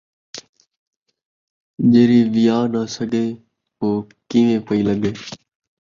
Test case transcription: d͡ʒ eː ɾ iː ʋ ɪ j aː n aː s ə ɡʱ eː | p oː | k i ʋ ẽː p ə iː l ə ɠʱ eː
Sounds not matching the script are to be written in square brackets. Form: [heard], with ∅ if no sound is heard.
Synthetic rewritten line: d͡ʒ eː ɾ iː ʋ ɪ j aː n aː s ə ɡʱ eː | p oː | k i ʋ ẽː p ə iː l ə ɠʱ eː

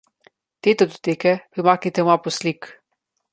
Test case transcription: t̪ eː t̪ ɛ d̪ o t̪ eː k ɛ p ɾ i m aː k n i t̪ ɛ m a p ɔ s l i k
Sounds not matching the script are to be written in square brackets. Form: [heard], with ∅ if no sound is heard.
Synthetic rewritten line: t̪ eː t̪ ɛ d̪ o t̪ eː k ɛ p ɾ i m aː k n i t̪ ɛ m a p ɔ s l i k

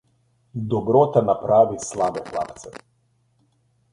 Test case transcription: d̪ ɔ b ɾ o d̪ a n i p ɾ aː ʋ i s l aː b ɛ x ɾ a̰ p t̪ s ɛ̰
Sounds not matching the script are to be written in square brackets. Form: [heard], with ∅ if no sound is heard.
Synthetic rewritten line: d̪ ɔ b ɾ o [t̪] a n [a] p ɾ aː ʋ i s l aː b ɛ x [l] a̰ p t̪ s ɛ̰

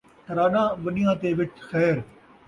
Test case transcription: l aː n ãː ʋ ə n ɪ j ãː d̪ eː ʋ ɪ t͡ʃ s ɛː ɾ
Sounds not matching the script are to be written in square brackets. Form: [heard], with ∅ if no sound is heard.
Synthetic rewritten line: [ɾ] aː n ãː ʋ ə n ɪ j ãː [t̪] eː ʋ ɪ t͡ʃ [x] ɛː ɾ

